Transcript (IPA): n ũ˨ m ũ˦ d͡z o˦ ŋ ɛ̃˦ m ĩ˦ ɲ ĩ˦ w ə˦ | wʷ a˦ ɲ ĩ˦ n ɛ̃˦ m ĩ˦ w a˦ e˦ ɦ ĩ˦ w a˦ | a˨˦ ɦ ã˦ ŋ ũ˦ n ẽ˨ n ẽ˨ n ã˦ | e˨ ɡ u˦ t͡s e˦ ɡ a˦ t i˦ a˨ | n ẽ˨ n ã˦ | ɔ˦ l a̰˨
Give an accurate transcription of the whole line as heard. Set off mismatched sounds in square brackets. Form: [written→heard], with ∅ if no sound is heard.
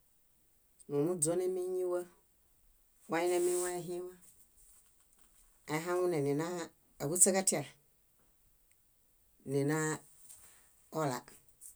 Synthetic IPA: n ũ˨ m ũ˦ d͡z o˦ [ŋ→n] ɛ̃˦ m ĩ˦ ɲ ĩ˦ w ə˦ | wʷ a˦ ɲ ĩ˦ n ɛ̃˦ m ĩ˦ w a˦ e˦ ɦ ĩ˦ w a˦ | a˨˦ ɦ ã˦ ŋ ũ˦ n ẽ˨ n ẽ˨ n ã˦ | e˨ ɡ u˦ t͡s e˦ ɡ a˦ t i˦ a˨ | n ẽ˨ n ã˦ | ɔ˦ l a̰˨